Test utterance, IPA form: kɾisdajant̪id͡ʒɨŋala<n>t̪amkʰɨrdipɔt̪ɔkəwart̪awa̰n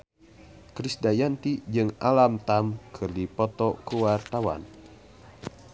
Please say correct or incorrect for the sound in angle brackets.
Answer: incorrect